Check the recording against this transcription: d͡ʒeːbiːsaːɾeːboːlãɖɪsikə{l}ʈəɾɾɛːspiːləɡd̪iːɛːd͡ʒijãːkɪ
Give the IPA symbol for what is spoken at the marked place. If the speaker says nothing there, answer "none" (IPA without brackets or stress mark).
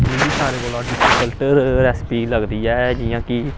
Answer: l